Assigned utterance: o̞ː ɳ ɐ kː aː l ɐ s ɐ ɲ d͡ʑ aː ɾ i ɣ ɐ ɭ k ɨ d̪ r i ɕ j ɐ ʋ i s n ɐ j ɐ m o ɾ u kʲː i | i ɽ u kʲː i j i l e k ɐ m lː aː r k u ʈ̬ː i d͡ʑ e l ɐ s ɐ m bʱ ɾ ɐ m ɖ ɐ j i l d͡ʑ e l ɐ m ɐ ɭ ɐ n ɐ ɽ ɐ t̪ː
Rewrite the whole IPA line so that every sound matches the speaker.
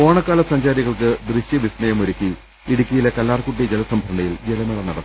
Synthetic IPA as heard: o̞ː ɳ ɐ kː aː l ɐ s ɐ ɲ d͡ʑ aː ɾ i ɣ ɐ ɭ k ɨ d̪ r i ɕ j ɐ ʋ i s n ɐ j ɐ m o ɾ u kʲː i | i ɽ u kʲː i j i l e k ɐ lː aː r k u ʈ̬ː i d͡ʑ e l ɐ s ɐ m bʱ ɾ ɐ ɳ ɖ ɐ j i l d͡ʑ e l ɐ m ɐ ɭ ɐ n ɐ ɽ ɐ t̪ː